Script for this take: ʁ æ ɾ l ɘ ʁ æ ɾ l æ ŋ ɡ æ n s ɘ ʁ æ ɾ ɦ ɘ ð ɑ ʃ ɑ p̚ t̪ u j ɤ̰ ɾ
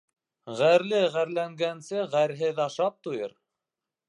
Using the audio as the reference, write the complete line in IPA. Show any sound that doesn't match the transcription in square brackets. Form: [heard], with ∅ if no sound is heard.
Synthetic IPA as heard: ʁ æ ɾ l ɘ ʁ æ ɾ l æ ŋ ɡ æ n s ɘ ʁ æ ɾ ɦ ɘ ð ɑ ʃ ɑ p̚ t̪ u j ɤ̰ ɾ